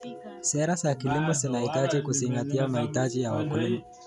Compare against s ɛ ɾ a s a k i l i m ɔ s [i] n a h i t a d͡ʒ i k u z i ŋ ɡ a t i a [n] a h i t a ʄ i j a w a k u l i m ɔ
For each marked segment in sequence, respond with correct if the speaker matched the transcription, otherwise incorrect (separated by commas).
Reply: correct, incorrect